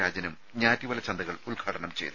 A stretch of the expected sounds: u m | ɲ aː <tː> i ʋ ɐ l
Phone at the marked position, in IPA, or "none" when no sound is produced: tː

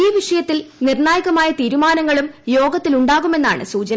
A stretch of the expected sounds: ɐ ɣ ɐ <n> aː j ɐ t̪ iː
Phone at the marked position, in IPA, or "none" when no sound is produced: m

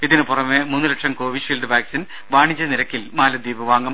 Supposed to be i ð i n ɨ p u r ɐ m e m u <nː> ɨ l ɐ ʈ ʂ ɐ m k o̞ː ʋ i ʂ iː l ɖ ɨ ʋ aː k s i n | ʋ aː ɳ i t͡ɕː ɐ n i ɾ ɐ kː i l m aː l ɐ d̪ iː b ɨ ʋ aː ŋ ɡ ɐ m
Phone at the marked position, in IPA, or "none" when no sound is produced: nː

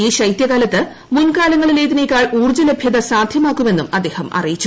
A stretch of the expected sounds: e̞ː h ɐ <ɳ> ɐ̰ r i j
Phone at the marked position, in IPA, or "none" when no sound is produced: m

